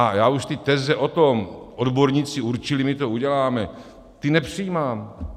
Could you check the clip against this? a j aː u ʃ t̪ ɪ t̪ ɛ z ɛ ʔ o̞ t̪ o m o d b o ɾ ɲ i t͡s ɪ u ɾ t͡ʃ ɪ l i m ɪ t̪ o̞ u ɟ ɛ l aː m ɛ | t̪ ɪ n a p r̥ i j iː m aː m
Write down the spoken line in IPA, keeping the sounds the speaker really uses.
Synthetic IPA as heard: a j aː u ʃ t̪ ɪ t̪ ɛ z ɛ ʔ o̞ t̪ o m o d b o ɾ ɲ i t͡s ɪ u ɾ t͡ʃ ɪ l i m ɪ t̪ o̞ u ɟ ɛ l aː m ɛ | t̪ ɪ n ɛ p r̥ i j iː m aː m